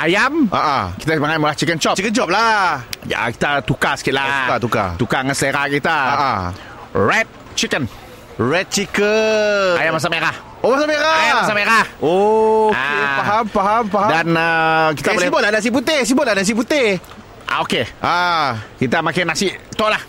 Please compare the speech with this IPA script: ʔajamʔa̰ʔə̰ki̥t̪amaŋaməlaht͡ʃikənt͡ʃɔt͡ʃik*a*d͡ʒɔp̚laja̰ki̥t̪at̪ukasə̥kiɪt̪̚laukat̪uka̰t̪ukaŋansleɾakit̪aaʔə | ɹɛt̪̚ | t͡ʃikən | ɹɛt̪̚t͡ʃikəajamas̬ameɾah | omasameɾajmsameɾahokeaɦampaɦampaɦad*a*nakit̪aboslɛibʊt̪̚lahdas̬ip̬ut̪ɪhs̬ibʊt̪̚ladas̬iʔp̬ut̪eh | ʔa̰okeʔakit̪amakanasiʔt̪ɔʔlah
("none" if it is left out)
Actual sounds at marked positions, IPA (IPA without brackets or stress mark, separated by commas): ə, a